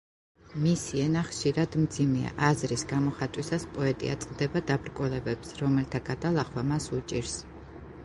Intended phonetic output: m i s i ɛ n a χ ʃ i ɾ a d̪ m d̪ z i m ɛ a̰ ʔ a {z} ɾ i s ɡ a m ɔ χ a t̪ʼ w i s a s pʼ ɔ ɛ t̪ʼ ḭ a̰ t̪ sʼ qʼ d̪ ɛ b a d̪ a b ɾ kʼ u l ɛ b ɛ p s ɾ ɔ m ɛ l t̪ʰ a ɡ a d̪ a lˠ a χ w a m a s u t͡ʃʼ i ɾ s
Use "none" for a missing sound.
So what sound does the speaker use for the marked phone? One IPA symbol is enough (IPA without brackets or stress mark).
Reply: z